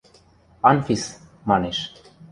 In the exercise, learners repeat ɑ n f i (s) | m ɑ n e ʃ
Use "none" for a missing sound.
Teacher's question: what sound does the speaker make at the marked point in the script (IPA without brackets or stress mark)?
s